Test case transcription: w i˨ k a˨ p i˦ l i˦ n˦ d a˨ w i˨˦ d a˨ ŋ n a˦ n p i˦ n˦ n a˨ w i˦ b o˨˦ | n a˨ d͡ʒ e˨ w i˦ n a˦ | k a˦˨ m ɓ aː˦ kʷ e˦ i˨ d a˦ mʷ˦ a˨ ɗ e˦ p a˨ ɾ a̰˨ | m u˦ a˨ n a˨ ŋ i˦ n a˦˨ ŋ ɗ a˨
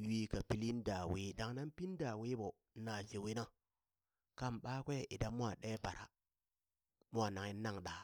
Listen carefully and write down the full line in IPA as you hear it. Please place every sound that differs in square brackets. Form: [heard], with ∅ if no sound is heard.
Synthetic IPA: w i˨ k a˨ p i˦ l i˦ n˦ d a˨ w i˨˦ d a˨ ŋ n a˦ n p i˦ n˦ [d] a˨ w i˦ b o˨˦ | n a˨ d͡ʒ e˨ w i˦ n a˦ | k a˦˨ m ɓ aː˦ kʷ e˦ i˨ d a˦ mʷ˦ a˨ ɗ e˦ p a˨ ɾ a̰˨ | m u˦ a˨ n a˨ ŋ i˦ n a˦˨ ŋ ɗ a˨